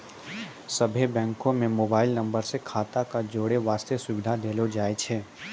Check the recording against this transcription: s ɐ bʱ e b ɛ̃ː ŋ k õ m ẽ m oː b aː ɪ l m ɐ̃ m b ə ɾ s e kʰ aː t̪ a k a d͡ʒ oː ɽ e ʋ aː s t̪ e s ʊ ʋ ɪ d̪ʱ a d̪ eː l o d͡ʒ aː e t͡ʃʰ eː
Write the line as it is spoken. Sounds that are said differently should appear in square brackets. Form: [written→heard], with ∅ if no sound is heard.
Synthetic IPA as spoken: s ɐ bʱ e b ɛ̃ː ŋ k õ m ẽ m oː b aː ɪ l [m→n] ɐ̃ m b ə ɾ s e kʰ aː t̪ a k a d͡ʒ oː ɽ e ʋ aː s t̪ e s ʊ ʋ ɪ d̪ʱ a d̪ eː l o d͡ʒ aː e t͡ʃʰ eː